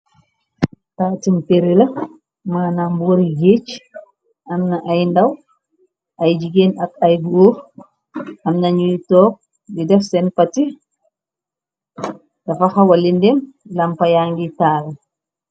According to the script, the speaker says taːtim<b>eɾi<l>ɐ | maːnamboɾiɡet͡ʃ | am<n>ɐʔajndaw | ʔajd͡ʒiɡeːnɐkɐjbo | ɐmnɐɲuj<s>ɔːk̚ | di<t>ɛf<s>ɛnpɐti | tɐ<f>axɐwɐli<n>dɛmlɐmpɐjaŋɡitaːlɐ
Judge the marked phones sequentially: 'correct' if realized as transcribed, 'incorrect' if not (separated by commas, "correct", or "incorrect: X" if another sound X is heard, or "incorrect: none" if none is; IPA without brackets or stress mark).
incorrect: p, correct, correct, incorrect: t, incorrect: d, correct, correct, correct